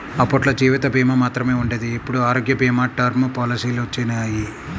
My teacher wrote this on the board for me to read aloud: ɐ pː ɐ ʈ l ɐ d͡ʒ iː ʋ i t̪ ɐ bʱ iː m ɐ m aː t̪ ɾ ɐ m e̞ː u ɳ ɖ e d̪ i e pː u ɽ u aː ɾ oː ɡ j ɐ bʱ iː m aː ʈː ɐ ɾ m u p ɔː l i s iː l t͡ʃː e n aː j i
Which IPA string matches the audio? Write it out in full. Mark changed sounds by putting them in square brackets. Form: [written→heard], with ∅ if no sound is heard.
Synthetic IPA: ɐ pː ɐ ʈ l ɐ d͡ʒ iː ʋ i t̪ ɐ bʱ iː m ɐ m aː t̪ ɾ ɐ m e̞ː u ɳ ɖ e d̪ i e pː u ɽ u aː ɾ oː ɡ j ɐ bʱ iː m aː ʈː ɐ ɾ m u p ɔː l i s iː l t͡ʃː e n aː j i